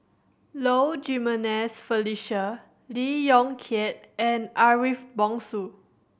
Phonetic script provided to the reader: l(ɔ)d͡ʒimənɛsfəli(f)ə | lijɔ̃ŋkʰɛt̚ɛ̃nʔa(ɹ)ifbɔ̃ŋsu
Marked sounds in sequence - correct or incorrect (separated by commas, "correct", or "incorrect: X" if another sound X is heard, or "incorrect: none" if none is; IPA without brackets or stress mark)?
incorrect: o, incorrect: ʃ, correct